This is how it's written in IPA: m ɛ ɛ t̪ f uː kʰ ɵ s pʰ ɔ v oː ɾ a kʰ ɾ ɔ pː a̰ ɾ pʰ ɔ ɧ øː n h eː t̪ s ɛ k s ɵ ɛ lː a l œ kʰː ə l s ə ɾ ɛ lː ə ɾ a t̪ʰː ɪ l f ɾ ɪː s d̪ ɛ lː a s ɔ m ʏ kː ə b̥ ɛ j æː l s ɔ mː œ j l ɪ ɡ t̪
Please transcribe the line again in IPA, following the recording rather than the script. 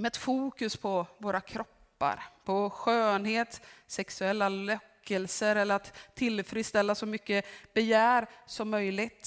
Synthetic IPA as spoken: m ɛ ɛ t̪ f uː k ɵ s pʰ ɔ v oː ɾ a kʰ ɾ ɔ pː a̰ ɾ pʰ ɔ ɧ øː n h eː t̪ s ɛ k s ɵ ɛ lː a l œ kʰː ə l s ə ɾ ɛ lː ə ɾ a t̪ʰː ɪ l f ɾ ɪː s t̪ ɛ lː a s ɔ m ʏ kː ə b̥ ɛ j æː ɾ s ɔ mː œ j l ɪ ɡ t̪